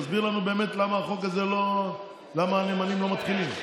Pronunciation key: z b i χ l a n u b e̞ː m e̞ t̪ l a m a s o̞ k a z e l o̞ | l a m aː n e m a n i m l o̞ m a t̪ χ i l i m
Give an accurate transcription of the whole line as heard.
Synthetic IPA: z b i ʁ l a n u b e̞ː m e̞ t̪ l a m a χ o̞ k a z e l o̞ | l a m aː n e m a n i m l o̞ m a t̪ χ i l i m